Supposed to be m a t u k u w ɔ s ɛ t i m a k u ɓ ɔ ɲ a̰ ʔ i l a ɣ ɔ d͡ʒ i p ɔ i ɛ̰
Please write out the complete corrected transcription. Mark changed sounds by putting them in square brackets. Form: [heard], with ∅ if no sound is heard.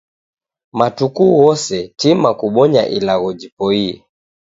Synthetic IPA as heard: m a t u k u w ɔ s ɛ t i m a k u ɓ ɔ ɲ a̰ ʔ i l a ɣ ɔ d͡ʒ i p ɔ i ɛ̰